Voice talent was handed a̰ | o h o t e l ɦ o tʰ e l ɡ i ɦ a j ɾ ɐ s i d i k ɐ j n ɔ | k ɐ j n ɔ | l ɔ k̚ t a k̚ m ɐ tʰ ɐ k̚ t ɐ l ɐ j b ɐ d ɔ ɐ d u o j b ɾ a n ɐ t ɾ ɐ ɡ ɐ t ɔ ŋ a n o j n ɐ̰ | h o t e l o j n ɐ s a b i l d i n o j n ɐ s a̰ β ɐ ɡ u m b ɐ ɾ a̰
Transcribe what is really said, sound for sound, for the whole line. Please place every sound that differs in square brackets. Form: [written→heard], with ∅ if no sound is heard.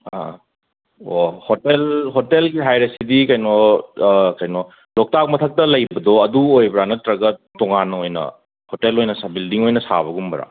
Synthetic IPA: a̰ | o h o t e l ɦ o [tʰ→t] e l ɡ i ɦ a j ɾ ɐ s i d i k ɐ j n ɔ | k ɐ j n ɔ | l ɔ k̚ t a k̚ m ɐ tʰ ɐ k̚ t ɐ l ɐ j b ɐ d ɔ ɐ d u o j b ɾ a n ɐ t ɾ ɐ ɡ ɐ t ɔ ŋ a n o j n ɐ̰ | h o t e l o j n ɐ s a b i l d i [n→ŋ] o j n ɐ s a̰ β ɐ ɡ u m b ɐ ɾ a̰